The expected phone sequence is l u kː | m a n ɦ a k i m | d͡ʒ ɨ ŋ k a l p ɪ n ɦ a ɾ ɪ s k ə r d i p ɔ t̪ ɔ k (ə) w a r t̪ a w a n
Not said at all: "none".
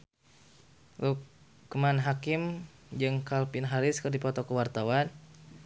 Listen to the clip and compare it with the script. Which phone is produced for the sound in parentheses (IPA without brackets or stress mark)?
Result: ə